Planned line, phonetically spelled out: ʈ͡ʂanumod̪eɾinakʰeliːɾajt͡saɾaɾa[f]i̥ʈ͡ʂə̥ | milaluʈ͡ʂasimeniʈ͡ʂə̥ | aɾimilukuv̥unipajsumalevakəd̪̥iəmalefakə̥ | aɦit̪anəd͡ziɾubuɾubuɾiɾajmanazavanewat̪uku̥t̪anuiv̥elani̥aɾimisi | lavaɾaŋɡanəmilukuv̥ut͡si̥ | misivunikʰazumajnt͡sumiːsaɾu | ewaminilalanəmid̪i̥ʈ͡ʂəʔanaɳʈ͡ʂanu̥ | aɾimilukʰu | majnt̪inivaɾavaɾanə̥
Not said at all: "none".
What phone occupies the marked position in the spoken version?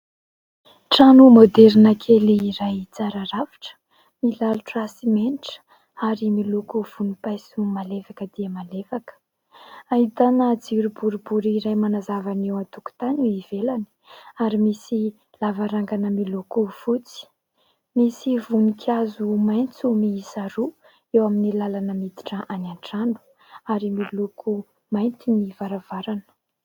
v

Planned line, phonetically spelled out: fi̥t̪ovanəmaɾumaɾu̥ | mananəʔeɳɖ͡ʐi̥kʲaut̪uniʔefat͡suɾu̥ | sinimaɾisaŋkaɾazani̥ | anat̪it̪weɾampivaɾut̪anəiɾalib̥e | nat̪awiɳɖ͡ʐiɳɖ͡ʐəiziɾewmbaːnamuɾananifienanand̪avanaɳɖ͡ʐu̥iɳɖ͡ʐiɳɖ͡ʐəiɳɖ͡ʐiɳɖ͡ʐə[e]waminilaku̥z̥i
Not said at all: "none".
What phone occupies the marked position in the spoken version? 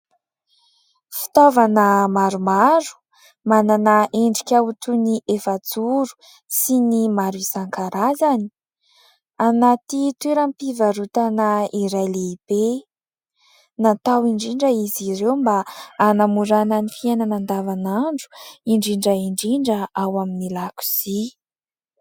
a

